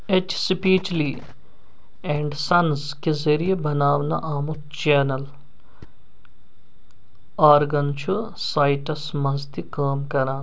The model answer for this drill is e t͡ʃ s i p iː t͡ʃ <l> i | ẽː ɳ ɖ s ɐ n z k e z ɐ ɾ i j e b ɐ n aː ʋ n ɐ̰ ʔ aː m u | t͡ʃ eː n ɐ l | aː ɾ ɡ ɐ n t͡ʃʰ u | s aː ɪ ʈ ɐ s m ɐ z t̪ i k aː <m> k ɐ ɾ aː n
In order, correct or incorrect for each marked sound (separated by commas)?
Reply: correct, correct